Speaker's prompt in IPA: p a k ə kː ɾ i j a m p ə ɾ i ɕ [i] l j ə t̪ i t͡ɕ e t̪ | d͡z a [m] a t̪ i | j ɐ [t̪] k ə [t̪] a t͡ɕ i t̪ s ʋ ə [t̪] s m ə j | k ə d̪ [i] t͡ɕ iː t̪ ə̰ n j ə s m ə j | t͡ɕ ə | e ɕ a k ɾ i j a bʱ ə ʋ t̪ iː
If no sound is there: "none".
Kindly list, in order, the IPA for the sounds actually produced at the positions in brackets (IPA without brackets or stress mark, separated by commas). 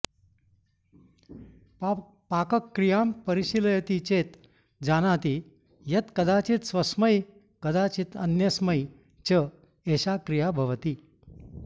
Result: i, n, t̪, d̪, none, a